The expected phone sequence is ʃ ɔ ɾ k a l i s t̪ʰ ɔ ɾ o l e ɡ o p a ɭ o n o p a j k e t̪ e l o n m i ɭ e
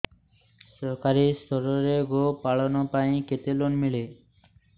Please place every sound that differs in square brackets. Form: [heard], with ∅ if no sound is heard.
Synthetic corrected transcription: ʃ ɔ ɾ k a [ɾ] i s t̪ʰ ɔ ɾ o [ɾ] e ɡ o p a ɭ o n o p a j k e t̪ e l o n m i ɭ e